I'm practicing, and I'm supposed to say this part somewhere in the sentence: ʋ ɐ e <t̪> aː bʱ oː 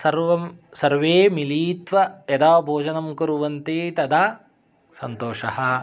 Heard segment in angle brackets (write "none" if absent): d̪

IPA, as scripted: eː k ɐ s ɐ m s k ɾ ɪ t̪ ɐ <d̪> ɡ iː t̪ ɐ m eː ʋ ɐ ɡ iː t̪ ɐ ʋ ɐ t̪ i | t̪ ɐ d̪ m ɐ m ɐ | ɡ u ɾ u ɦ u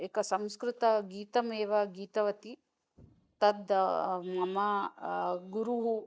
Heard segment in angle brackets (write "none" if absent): none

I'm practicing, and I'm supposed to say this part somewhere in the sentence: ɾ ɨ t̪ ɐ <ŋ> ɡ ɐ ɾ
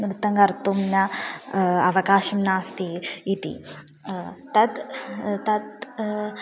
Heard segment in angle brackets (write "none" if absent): ŋ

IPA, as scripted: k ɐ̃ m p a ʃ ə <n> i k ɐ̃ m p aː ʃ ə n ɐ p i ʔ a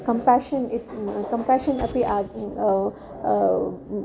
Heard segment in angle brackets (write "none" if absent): n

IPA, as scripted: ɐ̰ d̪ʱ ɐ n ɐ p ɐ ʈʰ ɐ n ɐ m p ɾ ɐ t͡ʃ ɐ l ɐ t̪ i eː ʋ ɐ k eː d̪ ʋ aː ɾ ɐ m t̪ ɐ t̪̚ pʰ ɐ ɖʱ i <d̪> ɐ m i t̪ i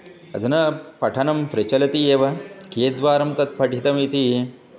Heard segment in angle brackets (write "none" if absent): t̪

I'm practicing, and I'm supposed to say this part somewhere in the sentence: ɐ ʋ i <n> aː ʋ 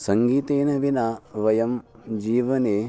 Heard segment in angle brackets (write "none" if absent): n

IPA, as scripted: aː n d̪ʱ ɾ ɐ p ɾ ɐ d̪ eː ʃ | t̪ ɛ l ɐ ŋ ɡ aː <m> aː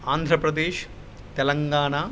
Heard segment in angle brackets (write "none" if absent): ɳ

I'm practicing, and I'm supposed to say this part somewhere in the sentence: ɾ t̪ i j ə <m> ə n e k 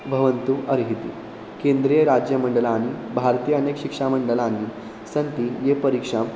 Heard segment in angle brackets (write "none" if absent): none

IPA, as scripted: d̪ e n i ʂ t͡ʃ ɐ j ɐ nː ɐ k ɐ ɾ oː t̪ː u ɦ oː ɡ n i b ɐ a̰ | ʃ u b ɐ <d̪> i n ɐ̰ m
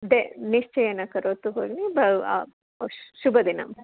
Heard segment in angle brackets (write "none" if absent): d̪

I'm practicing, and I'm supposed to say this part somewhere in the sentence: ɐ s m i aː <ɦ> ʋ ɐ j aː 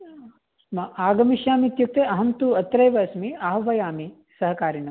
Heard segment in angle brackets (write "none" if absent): ɦ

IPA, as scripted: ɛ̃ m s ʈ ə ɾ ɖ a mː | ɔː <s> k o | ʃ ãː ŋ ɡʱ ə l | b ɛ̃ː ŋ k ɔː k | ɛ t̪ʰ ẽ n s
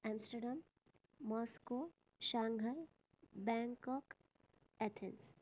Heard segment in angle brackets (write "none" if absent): s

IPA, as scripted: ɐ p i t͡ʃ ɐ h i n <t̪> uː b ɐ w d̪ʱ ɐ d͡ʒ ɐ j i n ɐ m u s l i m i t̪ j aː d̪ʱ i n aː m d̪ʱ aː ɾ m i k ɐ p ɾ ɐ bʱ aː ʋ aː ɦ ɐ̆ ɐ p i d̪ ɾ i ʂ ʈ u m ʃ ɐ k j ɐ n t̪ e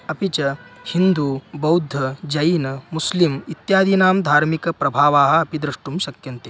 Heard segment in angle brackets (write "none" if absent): d̪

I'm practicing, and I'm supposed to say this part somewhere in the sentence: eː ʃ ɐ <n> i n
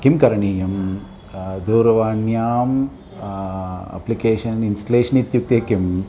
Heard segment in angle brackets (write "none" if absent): n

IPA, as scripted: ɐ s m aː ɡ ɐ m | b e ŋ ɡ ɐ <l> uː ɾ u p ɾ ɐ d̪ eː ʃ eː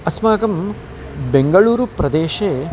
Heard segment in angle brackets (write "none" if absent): ɭ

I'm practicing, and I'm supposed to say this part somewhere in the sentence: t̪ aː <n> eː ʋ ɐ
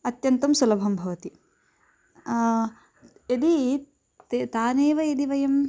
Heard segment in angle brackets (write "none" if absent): n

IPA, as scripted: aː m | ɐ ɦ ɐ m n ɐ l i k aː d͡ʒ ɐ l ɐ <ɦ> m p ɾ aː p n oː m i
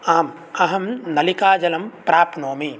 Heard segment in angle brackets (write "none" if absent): none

